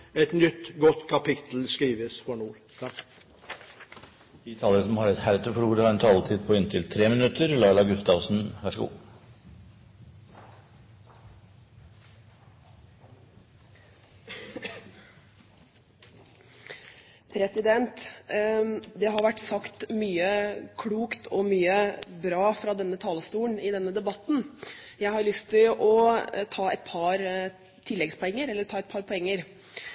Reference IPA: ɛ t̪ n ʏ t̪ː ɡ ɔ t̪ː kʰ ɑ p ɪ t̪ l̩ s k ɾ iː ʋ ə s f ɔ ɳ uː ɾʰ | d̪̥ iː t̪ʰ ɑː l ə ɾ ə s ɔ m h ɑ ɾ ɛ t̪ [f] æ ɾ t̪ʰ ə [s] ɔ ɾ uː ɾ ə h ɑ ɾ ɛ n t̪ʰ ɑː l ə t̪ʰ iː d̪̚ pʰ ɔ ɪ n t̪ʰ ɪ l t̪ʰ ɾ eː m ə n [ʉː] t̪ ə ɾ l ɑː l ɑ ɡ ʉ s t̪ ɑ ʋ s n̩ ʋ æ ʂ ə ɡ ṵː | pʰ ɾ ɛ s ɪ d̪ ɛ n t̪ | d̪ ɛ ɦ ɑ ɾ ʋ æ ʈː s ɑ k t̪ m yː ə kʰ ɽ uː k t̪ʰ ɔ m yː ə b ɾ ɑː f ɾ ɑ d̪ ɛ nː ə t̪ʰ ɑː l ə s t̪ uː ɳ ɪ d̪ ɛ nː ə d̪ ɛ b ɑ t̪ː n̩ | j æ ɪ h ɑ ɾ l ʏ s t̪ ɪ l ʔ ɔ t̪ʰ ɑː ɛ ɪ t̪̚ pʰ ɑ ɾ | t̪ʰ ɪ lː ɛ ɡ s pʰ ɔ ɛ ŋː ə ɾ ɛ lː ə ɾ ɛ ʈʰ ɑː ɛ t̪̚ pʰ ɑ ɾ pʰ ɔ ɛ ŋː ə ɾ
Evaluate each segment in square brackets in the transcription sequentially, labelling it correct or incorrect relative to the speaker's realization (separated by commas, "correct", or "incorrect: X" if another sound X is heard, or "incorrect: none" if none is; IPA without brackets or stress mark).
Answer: incorrect: h, incorrect: f, incorrect: ʉ